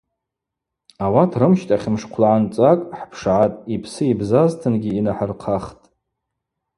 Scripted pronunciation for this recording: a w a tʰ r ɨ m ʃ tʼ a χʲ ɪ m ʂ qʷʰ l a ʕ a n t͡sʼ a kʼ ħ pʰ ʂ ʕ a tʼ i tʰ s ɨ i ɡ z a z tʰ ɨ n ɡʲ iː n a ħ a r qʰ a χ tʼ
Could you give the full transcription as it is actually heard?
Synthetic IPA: a w a tʰ r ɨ m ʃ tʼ a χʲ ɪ m ʂ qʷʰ l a ʕ a n t͡sʼ a kʼ ħ pʰ ʂ ʕ a tʼ i pʰ s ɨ i b z a z tʰ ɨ n ɡʲ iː n a ħ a r qʰ a χ tʼ

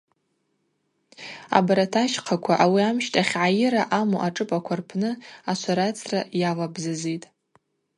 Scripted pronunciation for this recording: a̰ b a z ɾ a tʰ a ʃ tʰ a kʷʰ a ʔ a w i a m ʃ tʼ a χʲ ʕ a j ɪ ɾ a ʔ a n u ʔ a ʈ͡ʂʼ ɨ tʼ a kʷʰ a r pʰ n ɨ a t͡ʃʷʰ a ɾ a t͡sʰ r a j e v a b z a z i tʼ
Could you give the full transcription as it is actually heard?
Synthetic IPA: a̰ b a ɾ a tʰ a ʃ qʰ a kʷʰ a ʔ a w i a m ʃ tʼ a χʲ ʕ a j ɪ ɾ a ʔ a m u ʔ a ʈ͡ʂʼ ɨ pʼ a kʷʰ a r pʰ n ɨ a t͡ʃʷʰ a ɾ a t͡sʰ r a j a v a b z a z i tʼ

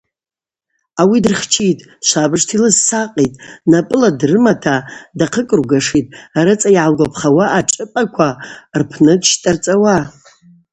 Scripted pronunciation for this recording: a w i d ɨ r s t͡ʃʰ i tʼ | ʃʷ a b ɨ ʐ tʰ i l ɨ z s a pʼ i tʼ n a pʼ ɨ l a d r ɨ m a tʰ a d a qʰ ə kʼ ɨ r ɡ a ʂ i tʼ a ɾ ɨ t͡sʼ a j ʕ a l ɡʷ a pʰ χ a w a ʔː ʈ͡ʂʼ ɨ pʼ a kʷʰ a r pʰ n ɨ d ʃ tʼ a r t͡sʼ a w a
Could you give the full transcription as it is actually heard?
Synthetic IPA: a w i d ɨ r χ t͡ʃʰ i tʼ | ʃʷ a b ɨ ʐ tʰ i l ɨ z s a qʼ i tʼ n a pʼ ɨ l a d r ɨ m a tʰ a d a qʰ ə kʼ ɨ r ɡ a ʂ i tʼ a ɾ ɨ t͡sʼ a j ʕ a l ɡʷ a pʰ χ a w a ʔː ʈ͡ʂʼ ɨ pʼ a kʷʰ a r pʰ n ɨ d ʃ tʼ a r t͡sʼ a w a

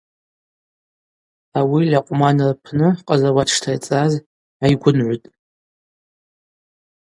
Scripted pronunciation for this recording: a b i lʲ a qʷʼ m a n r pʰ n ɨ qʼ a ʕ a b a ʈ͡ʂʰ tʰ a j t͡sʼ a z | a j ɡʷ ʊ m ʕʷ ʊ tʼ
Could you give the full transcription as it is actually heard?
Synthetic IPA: a w i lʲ a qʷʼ m a n r pʰ n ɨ qʼ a z a w a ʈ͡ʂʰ tʰ a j t͡sʼ a z | a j ɡʷ ʊ n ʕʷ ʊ tʼ

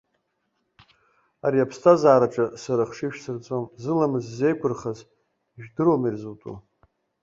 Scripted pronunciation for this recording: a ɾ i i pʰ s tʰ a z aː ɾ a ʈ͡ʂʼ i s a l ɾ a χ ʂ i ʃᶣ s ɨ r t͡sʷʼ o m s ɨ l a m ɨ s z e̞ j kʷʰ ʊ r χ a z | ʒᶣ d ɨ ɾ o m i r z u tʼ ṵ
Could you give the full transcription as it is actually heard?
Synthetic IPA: a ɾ i a pʰ s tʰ a z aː ɾ a ʈ͡ʂʼ a s a ɾ a χ ʂ i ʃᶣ s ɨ r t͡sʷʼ o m z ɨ l a m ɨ z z e̞ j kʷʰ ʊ r χ a z | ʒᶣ d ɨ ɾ o m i r z u tʼ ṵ

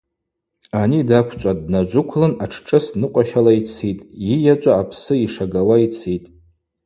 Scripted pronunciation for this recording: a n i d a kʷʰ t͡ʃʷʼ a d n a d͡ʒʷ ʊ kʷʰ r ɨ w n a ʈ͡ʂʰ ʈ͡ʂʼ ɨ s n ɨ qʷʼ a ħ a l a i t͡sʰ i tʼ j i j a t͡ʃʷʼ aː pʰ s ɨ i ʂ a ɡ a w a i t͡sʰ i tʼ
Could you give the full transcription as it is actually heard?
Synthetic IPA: a n i d a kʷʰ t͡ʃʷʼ a d n a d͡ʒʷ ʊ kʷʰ l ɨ n a ʈ͡ʂʰ ʈ͡ʂʼ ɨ s n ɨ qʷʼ a ʃ a l a i t͡sʰ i tʼ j i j a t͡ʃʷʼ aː pʰ s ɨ i ʂ a ɡ a w a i t͡sʰ i tʼ

